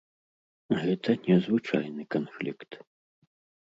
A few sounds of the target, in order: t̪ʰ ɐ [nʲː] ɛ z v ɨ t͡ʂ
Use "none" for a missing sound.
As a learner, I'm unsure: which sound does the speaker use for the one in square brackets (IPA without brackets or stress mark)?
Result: nʲ